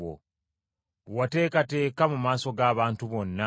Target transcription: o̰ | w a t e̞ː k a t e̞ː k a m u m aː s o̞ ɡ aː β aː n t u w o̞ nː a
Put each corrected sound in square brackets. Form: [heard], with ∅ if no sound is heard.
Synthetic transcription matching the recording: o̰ | w a t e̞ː k a t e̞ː k a m u m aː s o̞ ɡ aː β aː n t u [β] o̞ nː a